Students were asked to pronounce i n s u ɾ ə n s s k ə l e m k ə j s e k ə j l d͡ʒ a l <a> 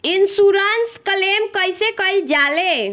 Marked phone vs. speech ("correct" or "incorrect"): incorrect